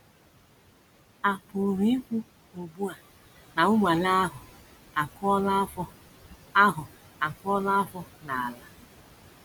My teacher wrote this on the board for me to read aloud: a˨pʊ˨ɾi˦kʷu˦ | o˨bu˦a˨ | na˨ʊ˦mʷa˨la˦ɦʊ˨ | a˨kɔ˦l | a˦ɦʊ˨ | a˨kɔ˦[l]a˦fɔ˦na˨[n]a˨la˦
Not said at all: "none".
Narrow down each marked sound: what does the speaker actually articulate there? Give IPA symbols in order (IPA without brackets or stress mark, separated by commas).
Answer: l, none